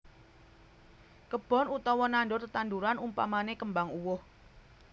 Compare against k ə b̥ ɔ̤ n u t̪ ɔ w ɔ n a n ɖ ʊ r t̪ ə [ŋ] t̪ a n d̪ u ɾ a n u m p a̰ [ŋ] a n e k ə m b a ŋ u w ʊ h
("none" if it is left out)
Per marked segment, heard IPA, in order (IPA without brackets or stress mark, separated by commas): none, m